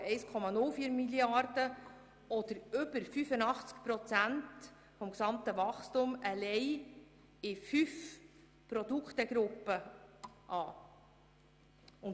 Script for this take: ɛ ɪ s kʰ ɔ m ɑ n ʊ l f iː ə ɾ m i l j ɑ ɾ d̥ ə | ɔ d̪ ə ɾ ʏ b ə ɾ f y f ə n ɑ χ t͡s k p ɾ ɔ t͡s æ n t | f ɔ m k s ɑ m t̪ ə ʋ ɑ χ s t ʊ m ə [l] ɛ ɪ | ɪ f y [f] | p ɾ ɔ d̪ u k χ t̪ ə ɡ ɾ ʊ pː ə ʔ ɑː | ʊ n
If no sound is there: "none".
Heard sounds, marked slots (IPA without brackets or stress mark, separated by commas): l, f